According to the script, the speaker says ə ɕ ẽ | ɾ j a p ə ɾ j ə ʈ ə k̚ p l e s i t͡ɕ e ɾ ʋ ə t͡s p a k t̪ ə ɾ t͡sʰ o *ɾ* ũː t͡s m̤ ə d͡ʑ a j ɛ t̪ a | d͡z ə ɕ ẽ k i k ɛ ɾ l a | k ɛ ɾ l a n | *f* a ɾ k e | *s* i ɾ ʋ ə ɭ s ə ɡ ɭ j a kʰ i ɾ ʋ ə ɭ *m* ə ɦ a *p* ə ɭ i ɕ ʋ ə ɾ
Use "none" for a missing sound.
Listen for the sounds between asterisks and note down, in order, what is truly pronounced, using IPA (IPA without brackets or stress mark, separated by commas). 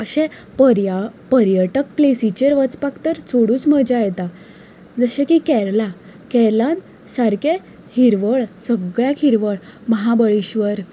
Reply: ɽ, s, h, m, b